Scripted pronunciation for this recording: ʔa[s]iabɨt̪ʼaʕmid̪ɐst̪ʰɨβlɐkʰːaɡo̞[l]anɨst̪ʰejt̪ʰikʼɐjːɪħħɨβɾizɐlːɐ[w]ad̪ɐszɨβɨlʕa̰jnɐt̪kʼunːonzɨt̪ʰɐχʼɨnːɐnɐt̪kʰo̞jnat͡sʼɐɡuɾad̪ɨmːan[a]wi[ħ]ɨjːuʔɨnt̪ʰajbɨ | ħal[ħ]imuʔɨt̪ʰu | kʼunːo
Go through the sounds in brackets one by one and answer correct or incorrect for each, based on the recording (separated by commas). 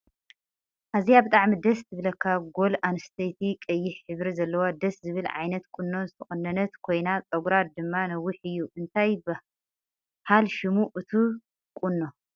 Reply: incorrect, correct, correct, incorrect, correct, incorrect